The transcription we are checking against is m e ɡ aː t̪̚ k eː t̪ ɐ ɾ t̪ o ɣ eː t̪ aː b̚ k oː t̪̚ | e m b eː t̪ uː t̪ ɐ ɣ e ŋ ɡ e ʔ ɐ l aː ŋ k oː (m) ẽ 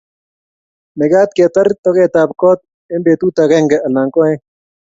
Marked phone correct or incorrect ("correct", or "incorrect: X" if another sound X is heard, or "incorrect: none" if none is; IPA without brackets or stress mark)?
incorrect: none